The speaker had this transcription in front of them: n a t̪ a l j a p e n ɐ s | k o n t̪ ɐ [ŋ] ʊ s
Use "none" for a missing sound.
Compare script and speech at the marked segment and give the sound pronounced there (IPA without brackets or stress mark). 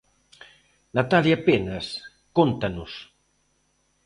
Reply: n